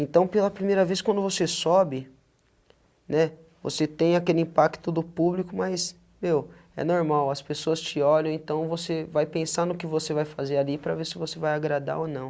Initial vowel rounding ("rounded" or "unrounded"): unrounded